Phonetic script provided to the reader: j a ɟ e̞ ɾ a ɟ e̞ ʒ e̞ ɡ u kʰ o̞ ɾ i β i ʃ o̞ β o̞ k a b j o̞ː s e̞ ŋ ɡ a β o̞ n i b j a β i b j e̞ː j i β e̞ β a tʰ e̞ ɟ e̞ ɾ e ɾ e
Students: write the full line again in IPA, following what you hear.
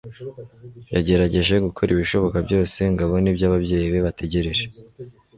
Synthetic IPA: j a ɟ e̞ ɾ a ɟ e̞ ʒ e̞ ɡ u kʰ o̞ ɾ i β i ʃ o̞ β o̞ k a b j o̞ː s e̞ ŋ ɡ a β o̞ n i b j a β a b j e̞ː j i β e̞ β a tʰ e̞ ɟ e̞ ɾ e ɾ e

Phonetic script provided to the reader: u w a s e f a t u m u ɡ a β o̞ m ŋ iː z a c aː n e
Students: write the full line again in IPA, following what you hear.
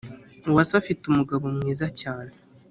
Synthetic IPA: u w a s a f i t u m u ɡ a β o̞ m ŋ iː z a c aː n e

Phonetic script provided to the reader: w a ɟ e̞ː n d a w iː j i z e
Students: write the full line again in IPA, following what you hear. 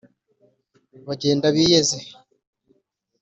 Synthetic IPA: β a ɟ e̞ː n d a β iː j e z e

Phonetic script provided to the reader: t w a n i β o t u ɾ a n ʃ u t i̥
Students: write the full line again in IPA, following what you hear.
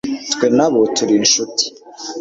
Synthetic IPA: t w e n a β o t u ɾ i n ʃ u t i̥

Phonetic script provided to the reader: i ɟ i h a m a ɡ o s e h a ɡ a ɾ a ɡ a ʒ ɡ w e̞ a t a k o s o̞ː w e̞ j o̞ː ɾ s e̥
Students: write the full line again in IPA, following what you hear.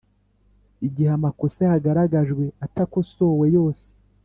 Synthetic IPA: i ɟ i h a m a k o s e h a ɡ a ɾ a ɡ a ʒ ɡ w e̞ a t a k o s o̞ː w e̞ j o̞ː s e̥

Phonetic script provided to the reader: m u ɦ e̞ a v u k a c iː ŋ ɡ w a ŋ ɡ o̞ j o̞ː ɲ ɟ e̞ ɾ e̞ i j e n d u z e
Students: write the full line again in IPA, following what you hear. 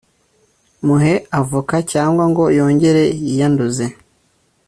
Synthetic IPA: m u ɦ e̞ a v u k a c aː ŋ ɡ w a ŋ ɡ o̞ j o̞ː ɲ ɟ e̞ ɾ e̞ i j a n d u z e

